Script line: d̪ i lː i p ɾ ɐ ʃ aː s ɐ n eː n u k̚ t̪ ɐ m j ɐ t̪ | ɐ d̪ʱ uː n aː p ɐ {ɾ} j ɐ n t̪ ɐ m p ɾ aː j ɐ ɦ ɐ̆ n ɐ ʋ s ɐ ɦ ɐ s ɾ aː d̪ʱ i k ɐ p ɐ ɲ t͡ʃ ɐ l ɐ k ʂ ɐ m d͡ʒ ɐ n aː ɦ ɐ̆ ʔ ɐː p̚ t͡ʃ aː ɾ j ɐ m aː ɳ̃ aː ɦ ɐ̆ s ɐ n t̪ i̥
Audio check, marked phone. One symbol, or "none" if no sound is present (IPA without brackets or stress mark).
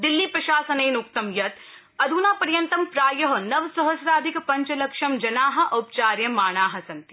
ɾ